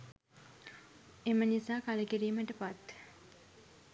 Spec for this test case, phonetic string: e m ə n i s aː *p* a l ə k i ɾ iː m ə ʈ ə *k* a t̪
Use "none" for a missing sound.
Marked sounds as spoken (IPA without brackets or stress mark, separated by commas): k, p